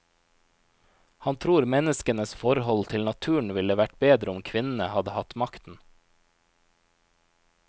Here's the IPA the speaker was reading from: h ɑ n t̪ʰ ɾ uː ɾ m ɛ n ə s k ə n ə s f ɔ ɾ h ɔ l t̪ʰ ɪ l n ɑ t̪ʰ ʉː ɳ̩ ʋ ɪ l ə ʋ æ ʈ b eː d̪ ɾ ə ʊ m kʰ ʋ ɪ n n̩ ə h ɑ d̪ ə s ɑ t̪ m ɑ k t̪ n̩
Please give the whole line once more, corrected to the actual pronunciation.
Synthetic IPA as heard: h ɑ n t̪ʰ ɾ uː ɾ m ɛ n ə s k ə n ə s f ɔ ɾ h ɔ l t̪ʰ ɪ l n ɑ t̪ʰ ʉː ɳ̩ ʋ ɪ l ə ʋ æ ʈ b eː d̪ ɾ ə ʊ m kʰ ʋ ɪ n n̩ ə h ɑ d̪ ə h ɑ t̪ m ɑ k t̪ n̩